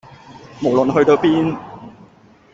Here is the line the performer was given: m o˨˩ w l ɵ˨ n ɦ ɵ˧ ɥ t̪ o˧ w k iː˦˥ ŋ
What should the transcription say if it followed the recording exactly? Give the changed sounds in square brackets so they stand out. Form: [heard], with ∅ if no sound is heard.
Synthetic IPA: m o˨˩ w l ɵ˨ n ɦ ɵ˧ ɥ t̪ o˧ w [p] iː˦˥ [n]